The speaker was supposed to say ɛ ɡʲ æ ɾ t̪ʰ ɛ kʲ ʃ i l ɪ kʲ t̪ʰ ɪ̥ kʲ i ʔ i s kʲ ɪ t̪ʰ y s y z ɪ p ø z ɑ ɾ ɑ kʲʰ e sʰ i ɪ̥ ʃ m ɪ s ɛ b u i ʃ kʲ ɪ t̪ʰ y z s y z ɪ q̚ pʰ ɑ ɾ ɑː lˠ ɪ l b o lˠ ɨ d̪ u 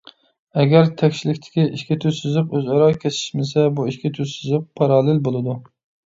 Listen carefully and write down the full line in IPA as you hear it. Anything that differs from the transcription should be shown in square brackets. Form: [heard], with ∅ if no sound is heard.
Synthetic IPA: ɛ ɡʲ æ ɾ t̪ʰ ɛ kʲ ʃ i l ɪ kʲ t̪ʰ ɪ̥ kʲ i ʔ i [ʃ] kʲ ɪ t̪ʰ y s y z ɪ [q] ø z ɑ ɾ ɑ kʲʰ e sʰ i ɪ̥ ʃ m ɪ s ɛ b u i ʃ kʲ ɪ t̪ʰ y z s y z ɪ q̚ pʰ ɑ ɾ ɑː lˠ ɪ l b o lˠ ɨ d̪ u